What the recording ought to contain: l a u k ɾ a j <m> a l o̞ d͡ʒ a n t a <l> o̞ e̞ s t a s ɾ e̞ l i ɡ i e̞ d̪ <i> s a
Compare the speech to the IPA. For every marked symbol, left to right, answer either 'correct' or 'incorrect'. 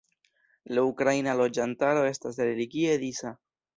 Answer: incorrect, incorrect, correct

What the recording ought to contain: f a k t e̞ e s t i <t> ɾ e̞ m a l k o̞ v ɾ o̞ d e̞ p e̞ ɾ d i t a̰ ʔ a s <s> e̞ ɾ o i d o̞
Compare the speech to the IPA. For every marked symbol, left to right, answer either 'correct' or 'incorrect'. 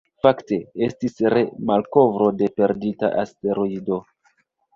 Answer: incorrect, incorrect

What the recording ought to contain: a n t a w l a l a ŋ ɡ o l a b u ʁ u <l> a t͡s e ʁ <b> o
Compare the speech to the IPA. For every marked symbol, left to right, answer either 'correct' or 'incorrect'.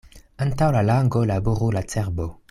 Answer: correct, correct

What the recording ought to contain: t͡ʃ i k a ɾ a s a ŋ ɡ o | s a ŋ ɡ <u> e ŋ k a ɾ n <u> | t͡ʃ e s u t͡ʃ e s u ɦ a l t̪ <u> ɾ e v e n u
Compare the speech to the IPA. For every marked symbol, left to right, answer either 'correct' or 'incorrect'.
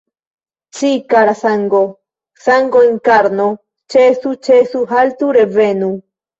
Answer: incorrect, incorrect, correct

